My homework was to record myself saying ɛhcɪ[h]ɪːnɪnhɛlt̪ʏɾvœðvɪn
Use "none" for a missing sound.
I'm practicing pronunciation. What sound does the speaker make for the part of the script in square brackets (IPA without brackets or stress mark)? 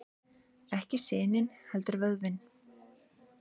s